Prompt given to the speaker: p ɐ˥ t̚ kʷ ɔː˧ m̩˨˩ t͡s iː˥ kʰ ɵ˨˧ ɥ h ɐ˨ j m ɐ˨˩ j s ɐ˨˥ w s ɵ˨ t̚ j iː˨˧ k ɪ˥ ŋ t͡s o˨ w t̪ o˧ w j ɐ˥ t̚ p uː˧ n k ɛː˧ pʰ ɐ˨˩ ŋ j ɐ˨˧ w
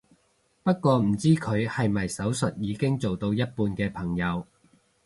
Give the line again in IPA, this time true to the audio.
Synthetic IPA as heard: p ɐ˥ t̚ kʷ ɔː˧ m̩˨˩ t͡s iː˥ kʰ ɵ˨˧ ɥ h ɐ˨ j m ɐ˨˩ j s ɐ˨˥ w s ɵ˨ t̚ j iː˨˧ k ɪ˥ ŋ t͡s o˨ w t̪ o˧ w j ɐ˥ t̚ p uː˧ n k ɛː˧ pʰ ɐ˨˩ ŋ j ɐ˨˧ w